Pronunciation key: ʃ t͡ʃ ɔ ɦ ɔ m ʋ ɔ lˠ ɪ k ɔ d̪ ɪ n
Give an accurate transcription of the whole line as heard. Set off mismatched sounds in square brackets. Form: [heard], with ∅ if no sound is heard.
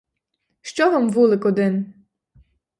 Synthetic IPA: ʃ t͡ʃ ɔ ɦ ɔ m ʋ [u] lˠ ɪ k ɔ d̪ ɪ n